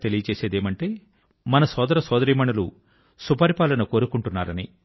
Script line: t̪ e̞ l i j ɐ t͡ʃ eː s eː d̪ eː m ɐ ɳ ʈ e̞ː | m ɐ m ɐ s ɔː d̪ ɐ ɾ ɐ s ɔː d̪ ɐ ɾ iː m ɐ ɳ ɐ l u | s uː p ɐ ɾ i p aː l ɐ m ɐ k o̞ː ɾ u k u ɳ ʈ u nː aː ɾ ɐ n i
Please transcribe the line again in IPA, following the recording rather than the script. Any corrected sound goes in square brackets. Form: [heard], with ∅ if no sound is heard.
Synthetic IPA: t̪ e̞ l i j ɐ t͡ʃ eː s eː d̪ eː m ɐ ɳ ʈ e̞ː | m ɐ [n] ɐ s ɔː d̪ ɐ ɾ ɐ s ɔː d̪ ɐ ɾ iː m ɐ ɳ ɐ l u | s [u] p ɐ ɾ i p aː l ɐ [n] ɐ k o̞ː ɾ u k u ɳ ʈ u nː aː ɾ ɐ n i